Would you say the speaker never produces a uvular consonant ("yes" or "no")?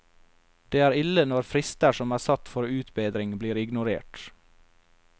yes